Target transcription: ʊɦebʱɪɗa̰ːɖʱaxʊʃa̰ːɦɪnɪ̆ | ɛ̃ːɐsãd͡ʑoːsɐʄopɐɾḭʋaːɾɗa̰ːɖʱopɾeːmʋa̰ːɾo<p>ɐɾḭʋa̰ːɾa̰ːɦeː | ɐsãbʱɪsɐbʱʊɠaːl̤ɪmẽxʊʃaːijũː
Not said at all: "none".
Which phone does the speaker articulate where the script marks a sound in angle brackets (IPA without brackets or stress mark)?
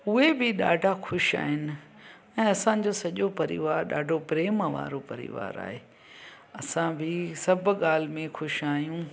p